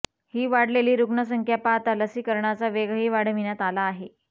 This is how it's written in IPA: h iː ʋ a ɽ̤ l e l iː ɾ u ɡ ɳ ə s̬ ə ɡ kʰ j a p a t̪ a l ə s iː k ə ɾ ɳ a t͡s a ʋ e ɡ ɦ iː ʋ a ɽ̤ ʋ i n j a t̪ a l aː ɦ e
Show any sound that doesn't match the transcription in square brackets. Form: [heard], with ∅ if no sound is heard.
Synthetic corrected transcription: h iː ʋ a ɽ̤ l e l iː ɾ u ɡ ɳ ə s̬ ə [ŋ] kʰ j a p a t̪ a l ə s iː k ə ɾ ɳ a t͡s a ʋ e ɡ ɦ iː ʋ a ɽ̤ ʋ i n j a t̪ a l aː ɦ e